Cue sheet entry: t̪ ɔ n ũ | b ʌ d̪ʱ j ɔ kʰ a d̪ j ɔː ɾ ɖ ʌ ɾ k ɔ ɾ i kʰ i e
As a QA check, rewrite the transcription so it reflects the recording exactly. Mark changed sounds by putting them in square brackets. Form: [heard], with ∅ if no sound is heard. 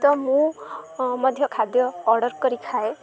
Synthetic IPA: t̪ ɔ [m] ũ | [m] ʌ d̪ʱ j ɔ kʰ a d̪ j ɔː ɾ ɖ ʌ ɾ k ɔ ɾ i kʰ [a] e